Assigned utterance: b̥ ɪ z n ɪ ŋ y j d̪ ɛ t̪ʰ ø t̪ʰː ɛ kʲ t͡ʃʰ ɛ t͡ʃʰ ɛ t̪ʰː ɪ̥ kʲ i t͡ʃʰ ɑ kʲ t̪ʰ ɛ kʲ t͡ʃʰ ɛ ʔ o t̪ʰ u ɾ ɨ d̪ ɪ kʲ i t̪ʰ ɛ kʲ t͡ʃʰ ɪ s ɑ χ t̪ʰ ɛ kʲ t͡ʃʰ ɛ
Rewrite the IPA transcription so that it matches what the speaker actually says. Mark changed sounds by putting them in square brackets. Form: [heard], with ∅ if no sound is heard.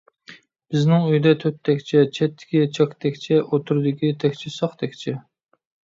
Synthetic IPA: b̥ ɪ z n ɪ ŋ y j d̪ ɛ t̪ʰ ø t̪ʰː ɛ kʲ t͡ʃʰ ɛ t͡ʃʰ ɛ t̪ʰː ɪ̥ kʲ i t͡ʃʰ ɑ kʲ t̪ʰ ɛ kʲ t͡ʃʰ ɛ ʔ o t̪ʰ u ɾ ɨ d̪ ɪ kʲ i t̪ʰ ɛ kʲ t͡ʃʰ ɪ s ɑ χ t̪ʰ ɛ kʲ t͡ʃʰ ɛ

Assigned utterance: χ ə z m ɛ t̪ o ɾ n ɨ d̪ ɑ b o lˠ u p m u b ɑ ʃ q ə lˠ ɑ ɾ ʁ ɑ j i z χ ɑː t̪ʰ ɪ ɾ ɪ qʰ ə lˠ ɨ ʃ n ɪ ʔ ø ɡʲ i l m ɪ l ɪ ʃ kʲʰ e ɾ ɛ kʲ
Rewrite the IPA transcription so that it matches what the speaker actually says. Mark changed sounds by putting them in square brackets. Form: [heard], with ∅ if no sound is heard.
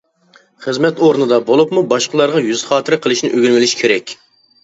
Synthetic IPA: χ ə z m ɛ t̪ o ɾ n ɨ d̪ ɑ b o lˠ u p m u b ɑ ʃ q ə lˠ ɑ ɾ ʁ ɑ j [y] z χ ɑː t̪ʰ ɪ ɾ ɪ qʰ ə lˠ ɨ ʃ n ɪ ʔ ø ɡʲ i l m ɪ l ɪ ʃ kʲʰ e ɾ ɛ kʲ

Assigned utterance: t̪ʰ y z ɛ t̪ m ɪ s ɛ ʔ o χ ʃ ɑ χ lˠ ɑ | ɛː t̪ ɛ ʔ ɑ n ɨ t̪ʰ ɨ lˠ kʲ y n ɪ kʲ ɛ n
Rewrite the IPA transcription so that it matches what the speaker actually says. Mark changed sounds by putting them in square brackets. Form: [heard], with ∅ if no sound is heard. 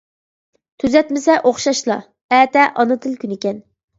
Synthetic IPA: t̪ʰ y z ɛ t̪ m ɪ s ɛ ʔ o χ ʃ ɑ [ʃ] lˠ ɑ | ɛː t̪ ɛ ʔ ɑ n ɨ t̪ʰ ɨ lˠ kʲ y n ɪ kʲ ɛ n

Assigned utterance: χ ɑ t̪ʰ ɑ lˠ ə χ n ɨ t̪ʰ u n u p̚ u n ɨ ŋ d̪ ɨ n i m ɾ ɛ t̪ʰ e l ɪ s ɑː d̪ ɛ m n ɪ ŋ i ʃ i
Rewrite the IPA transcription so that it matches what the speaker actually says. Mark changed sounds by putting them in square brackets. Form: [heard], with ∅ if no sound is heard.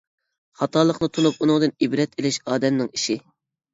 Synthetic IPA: χ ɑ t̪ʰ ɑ lˠ ə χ n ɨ t̪ʰ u n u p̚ u n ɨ ŋ d̪ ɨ n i [b] ɾ ɛ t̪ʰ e l ɪ [ʃ] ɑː d̪ ɛ m n ɪ ŋ i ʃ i

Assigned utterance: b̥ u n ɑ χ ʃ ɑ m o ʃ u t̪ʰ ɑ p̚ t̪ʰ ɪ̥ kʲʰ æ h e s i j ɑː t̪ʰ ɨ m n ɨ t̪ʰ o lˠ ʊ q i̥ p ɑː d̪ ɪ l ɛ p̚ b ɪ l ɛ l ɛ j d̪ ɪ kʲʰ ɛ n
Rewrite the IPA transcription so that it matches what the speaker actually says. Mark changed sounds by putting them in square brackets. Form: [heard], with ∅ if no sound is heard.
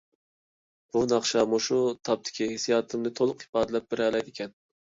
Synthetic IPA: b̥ u n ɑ χ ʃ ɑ m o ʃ u t̪ʰ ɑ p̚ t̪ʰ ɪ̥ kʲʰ [i] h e s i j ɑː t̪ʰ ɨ m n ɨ t̪ʰ o lˠ ʊ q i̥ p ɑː d̪ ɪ l ɛ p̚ b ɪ [ɾ] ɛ l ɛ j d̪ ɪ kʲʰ ɛ n

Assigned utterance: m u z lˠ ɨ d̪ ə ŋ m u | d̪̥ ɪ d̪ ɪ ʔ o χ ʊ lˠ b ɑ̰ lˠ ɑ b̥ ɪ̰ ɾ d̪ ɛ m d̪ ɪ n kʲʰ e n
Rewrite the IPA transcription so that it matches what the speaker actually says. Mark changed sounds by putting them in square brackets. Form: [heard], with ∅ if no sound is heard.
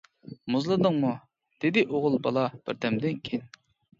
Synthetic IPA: m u z lˠ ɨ d̪ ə ŋ m u | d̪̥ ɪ d̪ ɪ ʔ o [ʁ] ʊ lˠ b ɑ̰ lˠ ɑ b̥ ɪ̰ ɾ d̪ ɛ m d̪ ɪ n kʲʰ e n

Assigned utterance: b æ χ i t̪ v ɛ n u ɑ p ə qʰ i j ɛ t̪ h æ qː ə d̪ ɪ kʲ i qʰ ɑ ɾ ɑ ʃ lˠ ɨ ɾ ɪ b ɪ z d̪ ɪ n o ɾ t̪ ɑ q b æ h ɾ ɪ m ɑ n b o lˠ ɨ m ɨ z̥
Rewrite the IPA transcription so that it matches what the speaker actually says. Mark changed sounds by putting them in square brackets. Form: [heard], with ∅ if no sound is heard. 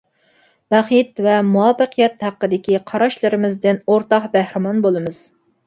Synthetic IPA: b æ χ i t̪ v ɛ [m] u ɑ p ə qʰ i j ɛ t̪ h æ qː ə d̪ ɪ kʲ i qʰ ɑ ɾ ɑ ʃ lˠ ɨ ɾ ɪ [m] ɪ z d̪ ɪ n o ɾ t̪ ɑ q b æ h ɾ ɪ m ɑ n b o lˠ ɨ m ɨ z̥

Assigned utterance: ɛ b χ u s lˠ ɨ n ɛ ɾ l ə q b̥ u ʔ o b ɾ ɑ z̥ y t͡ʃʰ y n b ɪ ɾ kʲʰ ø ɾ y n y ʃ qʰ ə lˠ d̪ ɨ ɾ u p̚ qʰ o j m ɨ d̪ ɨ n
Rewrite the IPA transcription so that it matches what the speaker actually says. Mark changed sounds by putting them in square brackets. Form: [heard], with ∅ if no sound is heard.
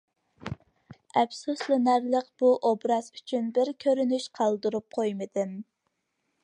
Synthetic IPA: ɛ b [s] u s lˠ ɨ n [æ] ɾ l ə q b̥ u ʔ o b ɾ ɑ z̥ y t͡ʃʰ y n b ɪ ɾ kʲʰ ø ɾ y n y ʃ qʰ [ɑ] lˠ d̪ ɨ ɾ u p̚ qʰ o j m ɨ d̪ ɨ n

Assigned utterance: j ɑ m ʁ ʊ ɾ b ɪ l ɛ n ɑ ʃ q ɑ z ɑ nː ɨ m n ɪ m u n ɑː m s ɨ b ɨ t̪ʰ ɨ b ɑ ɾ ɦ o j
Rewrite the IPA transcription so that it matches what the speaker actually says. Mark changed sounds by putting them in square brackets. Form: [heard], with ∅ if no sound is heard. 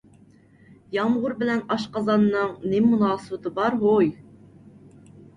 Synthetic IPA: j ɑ m ʁ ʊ ɾ b ɪ l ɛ n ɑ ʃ q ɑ z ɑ nː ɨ [ŋ] n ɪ m u n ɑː [∅] s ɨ b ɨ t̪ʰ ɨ b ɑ ɾ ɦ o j

